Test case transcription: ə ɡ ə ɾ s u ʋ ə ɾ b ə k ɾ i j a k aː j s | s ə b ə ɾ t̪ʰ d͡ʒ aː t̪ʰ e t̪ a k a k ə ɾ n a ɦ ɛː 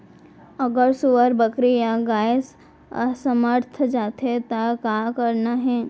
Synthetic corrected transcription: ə ɡ ə ɾ s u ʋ ə ɾ b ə k ɾ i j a ɡ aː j s | s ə m ə ɾ t̪ʰ d͡ʒ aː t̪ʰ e t̪ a k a k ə ɾ n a ɦ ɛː